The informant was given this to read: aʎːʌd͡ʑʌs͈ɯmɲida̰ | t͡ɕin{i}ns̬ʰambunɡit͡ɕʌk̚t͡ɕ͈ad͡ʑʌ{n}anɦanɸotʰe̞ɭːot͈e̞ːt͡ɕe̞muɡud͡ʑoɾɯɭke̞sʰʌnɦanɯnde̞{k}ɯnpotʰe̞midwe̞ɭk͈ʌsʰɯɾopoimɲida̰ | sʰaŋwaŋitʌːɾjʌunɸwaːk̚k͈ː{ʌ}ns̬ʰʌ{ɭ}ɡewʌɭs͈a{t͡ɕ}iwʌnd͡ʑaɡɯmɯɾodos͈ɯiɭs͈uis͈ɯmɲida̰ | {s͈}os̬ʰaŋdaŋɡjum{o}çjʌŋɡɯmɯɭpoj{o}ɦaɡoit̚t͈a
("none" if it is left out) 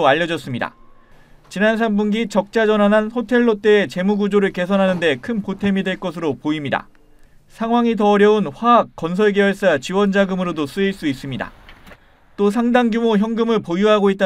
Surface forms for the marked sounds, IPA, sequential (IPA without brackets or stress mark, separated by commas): a, n, kʰ, ʌ, ɭ, t͡ɕ, t͈, o, u